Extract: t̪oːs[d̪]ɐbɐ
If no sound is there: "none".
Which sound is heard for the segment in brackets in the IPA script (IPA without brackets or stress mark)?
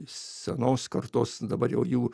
d̪